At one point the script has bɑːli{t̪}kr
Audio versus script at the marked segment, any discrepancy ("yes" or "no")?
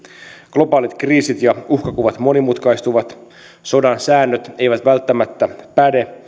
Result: no